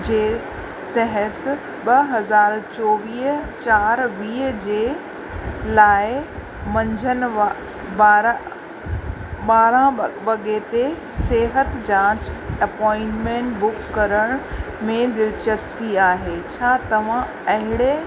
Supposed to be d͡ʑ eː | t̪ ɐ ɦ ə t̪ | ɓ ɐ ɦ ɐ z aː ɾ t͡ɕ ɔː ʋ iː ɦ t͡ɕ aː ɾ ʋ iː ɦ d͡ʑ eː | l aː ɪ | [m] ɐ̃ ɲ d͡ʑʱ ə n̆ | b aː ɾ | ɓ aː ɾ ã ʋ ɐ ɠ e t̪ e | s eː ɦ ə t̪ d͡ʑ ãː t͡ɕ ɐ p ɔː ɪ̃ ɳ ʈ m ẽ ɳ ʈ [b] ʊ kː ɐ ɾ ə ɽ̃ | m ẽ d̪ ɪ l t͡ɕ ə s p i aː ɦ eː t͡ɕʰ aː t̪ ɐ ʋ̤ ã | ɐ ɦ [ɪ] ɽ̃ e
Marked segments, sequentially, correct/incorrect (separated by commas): correct, correct, correct